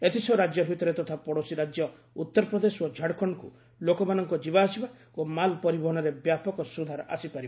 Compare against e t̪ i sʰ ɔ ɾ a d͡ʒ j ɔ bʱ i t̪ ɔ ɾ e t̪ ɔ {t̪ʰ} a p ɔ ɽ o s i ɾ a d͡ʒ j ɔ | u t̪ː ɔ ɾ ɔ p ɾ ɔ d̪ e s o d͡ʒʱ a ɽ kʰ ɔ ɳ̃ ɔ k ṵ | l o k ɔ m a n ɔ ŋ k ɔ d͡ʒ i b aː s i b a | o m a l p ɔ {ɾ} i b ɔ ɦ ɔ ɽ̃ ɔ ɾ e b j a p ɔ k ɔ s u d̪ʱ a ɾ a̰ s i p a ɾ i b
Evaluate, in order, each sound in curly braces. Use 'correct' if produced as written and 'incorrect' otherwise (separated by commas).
correct, correct